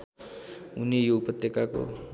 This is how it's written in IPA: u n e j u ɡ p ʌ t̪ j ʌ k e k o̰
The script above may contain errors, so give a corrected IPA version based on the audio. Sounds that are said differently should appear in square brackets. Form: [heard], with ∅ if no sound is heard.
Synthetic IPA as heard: u n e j [o] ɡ p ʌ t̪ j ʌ k [a] k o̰